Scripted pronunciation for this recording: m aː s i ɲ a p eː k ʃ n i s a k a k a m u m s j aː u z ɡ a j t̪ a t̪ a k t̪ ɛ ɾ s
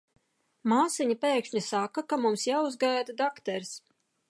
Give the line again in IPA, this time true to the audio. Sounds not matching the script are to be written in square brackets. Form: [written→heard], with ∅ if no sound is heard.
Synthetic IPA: m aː s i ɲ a p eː k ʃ [n→ɲ] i s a k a k a m u m s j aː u z ɡ a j [t̪→d̪] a [t̪→d̪] a k t̪ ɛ ɾ s